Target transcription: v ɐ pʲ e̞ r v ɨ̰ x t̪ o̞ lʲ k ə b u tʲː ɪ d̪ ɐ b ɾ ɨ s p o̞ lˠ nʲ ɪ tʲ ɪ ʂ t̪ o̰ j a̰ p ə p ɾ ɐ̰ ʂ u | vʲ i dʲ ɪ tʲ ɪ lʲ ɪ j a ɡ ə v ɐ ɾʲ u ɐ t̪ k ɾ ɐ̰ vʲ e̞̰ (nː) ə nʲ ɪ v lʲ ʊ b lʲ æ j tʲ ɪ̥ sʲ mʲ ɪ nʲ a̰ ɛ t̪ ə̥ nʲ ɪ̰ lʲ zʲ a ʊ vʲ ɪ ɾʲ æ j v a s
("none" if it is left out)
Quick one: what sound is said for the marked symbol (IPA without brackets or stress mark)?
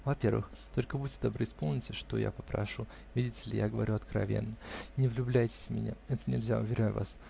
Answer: nː